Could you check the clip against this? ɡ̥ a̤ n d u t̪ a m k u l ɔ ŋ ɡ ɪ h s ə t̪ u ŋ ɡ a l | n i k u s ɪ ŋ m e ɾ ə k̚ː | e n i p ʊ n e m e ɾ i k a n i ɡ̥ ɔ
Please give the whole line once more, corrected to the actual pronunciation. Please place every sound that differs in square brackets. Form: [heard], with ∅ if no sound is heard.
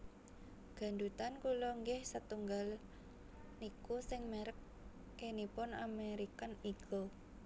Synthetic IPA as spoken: ɡ̥ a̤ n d u t̪ a [n] k u l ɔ ŋ ɡ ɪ h s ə t̪ u ŋ ɡ a l | n i k u s ɪ ŋ m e ɾ ə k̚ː | e n i p ʊ n [a] m e ɾ i k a n i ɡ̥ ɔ